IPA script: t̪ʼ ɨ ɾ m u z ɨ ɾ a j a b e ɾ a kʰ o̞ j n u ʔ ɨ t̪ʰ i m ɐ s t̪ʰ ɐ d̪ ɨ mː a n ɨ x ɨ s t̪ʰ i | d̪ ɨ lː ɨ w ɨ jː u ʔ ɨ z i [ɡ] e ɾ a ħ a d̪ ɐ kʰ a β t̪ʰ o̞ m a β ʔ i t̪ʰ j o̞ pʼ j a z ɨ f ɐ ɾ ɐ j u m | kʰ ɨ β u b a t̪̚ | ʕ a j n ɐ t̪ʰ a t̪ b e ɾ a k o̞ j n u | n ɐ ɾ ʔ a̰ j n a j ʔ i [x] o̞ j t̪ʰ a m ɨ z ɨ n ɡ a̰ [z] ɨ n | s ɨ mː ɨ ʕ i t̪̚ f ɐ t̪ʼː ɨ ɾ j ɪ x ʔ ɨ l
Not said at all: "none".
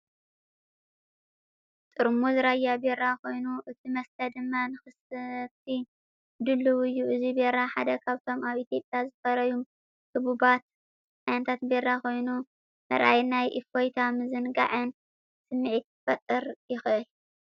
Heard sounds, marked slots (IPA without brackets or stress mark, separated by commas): b, f, ʕ